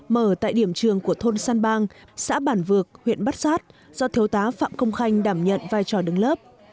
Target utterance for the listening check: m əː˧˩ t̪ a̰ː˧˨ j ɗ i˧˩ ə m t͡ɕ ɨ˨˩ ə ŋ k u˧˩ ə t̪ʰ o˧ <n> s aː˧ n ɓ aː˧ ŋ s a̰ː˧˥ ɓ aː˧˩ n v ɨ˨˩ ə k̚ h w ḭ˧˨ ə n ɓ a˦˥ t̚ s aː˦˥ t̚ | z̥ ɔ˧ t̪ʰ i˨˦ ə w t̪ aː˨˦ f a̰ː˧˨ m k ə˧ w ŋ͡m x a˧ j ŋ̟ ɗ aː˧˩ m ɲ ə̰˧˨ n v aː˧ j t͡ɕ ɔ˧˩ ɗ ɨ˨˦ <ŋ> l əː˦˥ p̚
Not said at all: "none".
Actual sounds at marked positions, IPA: n, ŋ

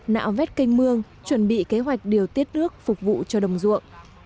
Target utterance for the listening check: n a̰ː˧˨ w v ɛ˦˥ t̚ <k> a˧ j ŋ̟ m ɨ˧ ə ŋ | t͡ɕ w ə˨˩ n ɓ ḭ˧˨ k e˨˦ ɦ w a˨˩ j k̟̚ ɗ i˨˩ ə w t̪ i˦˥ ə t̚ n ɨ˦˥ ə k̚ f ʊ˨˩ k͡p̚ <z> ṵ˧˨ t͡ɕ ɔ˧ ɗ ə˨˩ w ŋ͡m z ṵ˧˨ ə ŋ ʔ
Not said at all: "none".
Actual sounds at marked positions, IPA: k, v

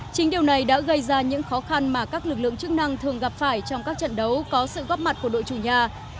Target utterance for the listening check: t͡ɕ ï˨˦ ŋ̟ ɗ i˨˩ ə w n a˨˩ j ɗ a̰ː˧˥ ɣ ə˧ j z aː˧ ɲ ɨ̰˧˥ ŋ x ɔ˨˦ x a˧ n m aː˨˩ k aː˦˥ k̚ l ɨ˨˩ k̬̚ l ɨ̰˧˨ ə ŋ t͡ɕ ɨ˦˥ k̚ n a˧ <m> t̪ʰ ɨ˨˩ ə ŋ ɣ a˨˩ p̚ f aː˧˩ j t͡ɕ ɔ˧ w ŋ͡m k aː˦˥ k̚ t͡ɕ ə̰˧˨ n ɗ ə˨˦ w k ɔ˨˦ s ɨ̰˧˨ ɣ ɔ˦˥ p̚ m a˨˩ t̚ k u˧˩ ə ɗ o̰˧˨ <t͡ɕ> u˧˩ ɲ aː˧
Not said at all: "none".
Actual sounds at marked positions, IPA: ŋ, t͡ɕ

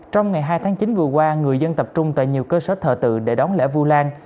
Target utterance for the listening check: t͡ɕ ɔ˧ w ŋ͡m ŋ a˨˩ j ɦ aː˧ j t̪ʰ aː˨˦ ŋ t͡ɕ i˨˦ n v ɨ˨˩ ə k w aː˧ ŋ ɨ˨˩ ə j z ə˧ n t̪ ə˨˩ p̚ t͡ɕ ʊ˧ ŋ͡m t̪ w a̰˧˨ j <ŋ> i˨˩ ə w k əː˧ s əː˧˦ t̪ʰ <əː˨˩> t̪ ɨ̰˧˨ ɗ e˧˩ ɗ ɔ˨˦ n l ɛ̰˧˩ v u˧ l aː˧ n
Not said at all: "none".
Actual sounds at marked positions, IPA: ɲ, əː˨˩

